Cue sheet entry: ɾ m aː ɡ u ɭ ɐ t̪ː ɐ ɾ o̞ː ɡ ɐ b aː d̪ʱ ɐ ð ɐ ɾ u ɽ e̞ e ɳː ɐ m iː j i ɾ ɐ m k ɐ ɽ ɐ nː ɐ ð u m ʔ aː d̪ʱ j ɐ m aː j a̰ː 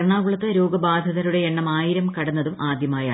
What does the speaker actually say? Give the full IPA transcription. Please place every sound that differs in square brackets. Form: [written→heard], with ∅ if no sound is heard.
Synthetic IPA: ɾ [m→ɳ] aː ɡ u ɭ ɐ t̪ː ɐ ɾ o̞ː ɡ ɐ b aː d̪ʱ ɐ ð ɐ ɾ u ɽ e̞ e ɳː ɐ m [iː→aː] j i ɾ ɐ m k ɐ ɽ ɐ nː ɐ ð u m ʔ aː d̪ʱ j ɐ m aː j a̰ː

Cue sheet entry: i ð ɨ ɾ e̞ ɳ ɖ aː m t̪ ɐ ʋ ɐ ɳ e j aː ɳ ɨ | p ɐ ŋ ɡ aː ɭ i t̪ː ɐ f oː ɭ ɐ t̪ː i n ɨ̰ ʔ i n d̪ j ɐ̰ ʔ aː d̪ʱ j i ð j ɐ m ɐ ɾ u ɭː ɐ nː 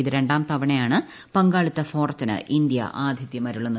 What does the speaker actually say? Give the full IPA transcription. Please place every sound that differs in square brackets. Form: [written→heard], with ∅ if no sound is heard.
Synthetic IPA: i ð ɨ ɾ e̞ ɳ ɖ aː m t̪ ɐ ʋ ɐ ɳ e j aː ɳ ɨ | p ɐ ŋ ɡ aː ɭ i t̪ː ɐ f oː [ɭ→r] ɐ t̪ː i n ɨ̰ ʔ i n d̪ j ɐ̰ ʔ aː d̪ʱ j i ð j ɐ m ɐ ɾ u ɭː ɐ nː

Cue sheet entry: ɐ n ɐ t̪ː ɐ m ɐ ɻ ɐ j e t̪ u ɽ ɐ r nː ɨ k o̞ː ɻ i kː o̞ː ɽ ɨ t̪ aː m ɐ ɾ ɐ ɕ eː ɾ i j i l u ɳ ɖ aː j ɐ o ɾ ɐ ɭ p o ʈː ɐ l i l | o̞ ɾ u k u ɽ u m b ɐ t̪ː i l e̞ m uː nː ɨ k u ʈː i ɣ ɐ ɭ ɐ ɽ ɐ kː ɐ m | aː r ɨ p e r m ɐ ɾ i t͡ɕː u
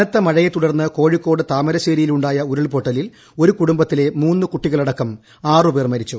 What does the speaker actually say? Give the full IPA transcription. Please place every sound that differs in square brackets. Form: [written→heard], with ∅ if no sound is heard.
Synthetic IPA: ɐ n ɐ t̪ː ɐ m ɐ ɻ ɐ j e t̪ u ɽ ɐ r nː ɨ k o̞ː ɻ i kː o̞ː ɽ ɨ t̪ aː m ɐ ɾ ɐ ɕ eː ɾ i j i l u ɳ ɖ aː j ɐ [o→u] ɾ ɐ ɭ p o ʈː ɐ l i l | o̞ ɾ u k u ɽ u m b ɐ t̪ː i l e̞ m uː nː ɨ k u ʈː i ɣ ɐ ɭ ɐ ɽ ɐ kː ɐ m | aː r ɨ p e r m ɐ ɾ i t͡ɕː u

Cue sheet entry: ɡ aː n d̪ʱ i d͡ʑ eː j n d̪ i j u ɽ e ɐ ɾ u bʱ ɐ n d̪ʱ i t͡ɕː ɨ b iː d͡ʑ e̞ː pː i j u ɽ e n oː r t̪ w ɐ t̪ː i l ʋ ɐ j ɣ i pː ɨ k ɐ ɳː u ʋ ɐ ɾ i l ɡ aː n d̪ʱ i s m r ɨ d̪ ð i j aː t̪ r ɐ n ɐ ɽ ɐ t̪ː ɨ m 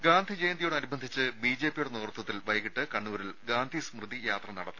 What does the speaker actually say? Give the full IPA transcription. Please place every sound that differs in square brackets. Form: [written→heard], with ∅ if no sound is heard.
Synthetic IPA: ɡ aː n d̪ʱ i d͡ʑ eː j n d̪ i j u ɽ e ɐ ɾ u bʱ ɐ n d̪ʱ i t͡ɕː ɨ b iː d͡ʑ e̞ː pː i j u ɽ e n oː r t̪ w ɐ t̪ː i l ʋ ɐ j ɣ i [pː→ʈː] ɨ k ɐ ɳː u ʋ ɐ ɾ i l ɡ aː n d̪ʱ i s m r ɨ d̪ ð i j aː t̪ r ɐ n ɐ ɽ ɐ t̪ː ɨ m

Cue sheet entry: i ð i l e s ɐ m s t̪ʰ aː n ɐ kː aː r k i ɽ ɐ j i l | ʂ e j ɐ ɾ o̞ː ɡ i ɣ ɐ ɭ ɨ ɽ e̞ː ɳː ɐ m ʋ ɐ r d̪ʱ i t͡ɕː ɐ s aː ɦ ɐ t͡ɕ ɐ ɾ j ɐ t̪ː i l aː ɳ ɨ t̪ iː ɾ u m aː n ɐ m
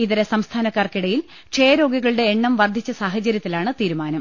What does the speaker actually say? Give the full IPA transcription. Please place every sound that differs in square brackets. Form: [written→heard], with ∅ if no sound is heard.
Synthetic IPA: i ð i [l→ɾ] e s ɐ m s t̪ʰ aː n ɐ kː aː r k i ɽ ɐ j i l | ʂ e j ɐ ɾ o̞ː ɡ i ɣ ɐ ɭ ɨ ɽ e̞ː ɳː ɐ m ʋ ɐ r d̪ʱ i t͡ɕː ɐ s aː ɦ ɐ t͡ɕ ɐ ɾ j ɐ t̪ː i l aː ɳ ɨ t̪ iː ɾ u m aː n ɐ m

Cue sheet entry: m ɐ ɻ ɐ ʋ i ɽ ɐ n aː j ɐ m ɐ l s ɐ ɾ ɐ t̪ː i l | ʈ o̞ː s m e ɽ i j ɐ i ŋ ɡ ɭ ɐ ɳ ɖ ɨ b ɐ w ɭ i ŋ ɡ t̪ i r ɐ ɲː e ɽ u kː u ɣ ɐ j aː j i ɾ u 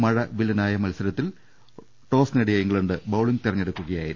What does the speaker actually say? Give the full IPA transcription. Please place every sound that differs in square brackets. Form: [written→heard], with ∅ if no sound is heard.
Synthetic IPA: m ɐ ɻ ɐ ʋ i [ɽ→l] ɐ n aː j ɐ m ɐ l s ɐ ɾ ɐ t̪ː i l | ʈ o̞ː s [m→n] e ɽ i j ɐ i ŋ ɡ ɭ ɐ ɳ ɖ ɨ b ɐ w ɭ i ŋ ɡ t̪ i r ɐ ɲː e ɽ u kː u ɣ ɐ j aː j i ɾ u

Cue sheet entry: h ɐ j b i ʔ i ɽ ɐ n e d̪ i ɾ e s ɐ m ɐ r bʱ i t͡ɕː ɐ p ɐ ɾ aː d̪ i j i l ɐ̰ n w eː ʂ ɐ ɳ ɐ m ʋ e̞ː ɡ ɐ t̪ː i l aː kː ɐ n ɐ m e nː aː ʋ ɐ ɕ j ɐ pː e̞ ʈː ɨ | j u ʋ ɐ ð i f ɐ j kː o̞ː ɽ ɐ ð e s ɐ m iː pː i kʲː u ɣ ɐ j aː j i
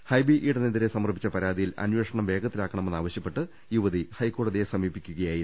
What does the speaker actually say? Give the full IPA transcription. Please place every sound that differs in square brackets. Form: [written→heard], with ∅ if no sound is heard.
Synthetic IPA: h ɐ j b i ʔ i ɽ ɐ n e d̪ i ɾ e s ɐ m ɐ r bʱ i t͡ɕː ɐ p ɐ ɾ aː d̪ i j i l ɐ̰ n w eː ʂ ɐ ɳ ɐ m ʋ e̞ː ɡ ɐ t̪ː i l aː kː ɐ [n→ɳ] ɐ m e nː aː ʋ ɐ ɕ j ɐ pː e̞ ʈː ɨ | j u ʋ ɐ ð i [f→h] ɐ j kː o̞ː ɽ ɐ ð e s ɐ m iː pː i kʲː u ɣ ɐ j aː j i

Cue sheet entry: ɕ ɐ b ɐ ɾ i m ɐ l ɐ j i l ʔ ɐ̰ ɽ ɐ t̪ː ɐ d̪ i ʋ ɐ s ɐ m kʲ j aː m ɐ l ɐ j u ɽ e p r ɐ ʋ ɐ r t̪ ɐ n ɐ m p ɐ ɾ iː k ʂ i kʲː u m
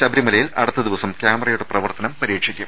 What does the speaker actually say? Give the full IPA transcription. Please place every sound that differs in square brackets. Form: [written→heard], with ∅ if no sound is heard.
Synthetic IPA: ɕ ɐ b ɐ ɾ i m ɐ l ɐ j i l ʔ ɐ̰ ɽ ɐ t̪ː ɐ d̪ i ʋ ɐ s ɐ m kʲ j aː m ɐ [l→r] ɐ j u ɽ e p r ɐ ʋ ɐ r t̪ ɐ n ɐ m p ɐ ɾ iː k ʂ i kʲː u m

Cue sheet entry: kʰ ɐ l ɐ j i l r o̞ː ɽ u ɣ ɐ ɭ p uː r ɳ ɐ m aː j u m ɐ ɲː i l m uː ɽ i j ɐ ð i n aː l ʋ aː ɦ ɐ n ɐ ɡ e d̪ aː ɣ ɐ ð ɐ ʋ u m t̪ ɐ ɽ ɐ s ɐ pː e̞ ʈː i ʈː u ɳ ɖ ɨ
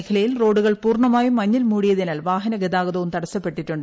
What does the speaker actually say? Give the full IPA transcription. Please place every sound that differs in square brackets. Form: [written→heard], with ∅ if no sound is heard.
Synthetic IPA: kʰ ɐ l ɐ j i l r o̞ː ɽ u ɣ ɐ ɭ p uː r ɳ ɐ m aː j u m ɐ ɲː i l m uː ɽ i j ɐ ð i n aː l ʋ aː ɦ ɐ n ɐ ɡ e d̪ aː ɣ ɐ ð ɐ ʋ u m t̪ ɐ ɽ ɐ s ɐ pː e̞ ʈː i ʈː u ɳ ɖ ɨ

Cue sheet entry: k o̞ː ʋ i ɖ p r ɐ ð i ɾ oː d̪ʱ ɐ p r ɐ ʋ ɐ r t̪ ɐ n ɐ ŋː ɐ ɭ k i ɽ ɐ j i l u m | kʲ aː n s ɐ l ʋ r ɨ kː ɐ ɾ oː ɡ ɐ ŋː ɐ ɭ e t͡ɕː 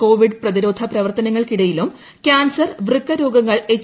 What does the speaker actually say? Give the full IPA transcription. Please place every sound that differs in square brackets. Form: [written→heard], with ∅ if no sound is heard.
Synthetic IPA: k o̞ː ʋ i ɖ p r ɐ ð i ɾ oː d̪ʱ ɐ p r ɐ ʋ ɐ r t̪ ɐ n ɐ ŋː ɐ ɭ k i ɽ ɐ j i l u m | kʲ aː n s ɐ [l→r] ʋ r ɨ kː ɐ ɾ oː ɡ ɐ ŋː ɐ ɭ e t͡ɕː

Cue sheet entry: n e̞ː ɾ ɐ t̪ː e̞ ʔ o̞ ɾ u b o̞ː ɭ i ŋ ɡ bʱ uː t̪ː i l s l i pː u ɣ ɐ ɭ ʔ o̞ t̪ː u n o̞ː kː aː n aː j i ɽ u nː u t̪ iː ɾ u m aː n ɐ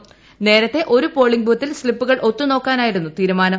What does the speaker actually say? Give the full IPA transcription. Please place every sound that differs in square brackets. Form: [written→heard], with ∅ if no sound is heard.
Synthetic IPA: n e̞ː ɾ ɐ t̪ː e̞ ʔ o̞ ɾ u [b→p] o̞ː ɭ i ŋ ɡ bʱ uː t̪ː i l s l i pː u ɣ ɐ ɭ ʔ o̞ t̪ː u n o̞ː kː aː n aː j i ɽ u nː u t̪ iː ɾ u m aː n ɐ

